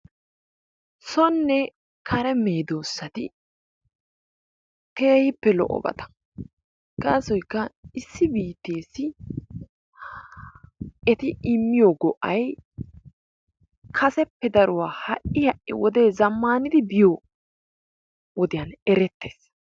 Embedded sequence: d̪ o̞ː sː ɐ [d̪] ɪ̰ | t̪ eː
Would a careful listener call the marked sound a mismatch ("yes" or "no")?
yes